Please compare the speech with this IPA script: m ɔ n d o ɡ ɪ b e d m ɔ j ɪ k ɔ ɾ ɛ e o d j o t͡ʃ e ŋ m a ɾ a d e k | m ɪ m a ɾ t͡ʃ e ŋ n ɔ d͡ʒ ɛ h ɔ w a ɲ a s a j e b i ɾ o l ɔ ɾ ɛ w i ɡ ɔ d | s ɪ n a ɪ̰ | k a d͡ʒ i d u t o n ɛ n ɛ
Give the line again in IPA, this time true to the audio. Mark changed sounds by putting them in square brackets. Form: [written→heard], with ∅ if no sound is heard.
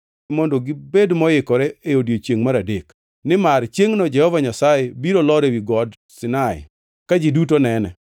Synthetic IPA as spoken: m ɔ n d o ɡ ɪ b e d m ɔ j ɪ k ɔ ɾ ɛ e o d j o t͡ʃ e ŋ m a ɾ a d e k | [m→n] ɪ m a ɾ t͡ʃ e ŋ n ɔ d͡ʒ ɛ h ɔ [w→v] a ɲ a s a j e b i ɾ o l ɔ ɾ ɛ w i ɡ ɔ d | s ɪ n a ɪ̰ | k a d͡ʒ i d u t o n ɛ n ɛ